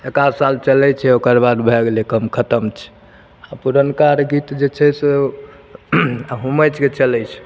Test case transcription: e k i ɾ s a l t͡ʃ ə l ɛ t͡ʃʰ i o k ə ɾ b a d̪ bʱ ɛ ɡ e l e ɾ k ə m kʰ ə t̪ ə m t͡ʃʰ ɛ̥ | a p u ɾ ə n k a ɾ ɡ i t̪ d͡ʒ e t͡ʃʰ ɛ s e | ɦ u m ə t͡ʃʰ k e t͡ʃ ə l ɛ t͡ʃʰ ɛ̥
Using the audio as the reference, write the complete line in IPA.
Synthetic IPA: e k a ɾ s a l t͡ʃ ə l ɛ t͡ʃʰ ɛ o k ə ɾ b a d̪ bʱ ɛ ɡ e l e k ə m kʰ ə t̪ ə m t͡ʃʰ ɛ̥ | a p u ɾ ə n k a ɾ ɡ i t̪ d͡ʒ e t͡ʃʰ ɛ s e | ɦ u m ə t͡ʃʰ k e t͡ʃ ə l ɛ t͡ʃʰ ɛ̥